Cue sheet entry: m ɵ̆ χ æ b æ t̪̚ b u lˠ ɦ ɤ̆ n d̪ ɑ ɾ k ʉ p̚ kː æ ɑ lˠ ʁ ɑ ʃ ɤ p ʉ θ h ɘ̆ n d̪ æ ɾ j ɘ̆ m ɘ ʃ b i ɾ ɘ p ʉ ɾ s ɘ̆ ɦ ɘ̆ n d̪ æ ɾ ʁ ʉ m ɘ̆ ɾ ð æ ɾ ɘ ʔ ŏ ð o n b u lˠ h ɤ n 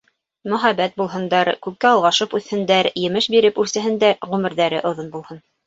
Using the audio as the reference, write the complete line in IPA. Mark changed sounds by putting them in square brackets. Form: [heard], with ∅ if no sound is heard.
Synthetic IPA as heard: m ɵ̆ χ æ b æ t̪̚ b u lˠ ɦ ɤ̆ n d̪ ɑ ɾ k ʉ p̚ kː æ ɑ lˠ ʁ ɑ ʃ ɤ p ʉ θ h ɘ̆ n d̪ æ ɾ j ɘ̆ m ɘ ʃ b i ɾ ɘ p ʉ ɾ s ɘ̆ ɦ ɘ̆ n d̪ æ ɾ ʁ ʉ m ɘ̆ ɾ ð æ ɾ ɘ ʔ ŏ ð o n b u lˠ h ɤ n